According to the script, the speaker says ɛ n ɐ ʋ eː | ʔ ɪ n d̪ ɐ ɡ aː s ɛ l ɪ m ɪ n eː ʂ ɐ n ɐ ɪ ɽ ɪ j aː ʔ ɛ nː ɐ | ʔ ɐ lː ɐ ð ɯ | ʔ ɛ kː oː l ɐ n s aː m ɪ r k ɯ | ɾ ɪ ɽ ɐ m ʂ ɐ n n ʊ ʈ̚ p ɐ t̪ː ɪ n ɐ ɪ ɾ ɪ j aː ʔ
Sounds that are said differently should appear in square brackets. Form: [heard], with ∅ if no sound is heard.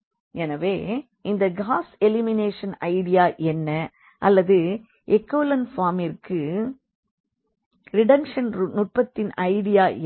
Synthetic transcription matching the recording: ɛ n ɐ ʋ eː | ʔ ɪ n d̪ ɐ ɡ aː s ɛ l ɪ m ɪ n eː ʂ ɐ n ɐ ɪ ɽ ɪ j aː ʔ ɛ nː ɐ | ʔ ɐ lː ɐ ð ɯ | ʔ ɛ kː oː l ɐ n [f] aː m ɪ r k ɯ | ɾ ɪ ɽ ɐ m ʂ ɐ n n ʊ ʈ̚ p ɐ t̪ː ɪ n ɐ ɪ [ɽ] ɪ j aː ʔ